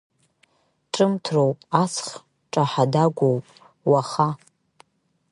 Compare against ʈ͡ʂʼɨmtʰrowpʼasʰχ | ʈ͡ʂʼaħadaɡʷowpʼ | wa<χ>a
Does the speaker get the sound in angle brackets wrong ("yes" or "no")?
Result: no